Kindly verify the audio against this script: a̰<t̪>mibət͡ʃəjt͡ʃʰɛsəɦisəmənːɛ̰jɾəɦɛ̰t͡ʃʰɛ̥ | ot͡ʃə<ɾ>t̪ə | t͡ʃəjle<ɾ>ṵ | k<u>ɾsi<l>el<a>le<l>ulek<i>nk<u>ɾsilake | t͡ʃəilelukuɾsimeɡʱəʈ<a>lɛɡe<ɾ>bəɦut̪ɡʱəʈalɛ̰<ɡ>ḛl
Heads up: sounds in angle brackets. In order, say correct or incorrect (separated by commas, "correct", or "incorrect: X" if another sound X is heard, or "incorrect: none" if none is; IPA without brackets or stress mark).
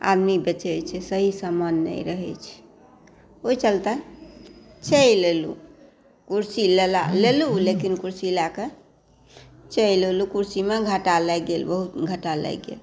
incorrect: d̪, incorrect: l, incorrect: l, correct, correct, correct, correct, correct, correct, correct, incorrect: l, correct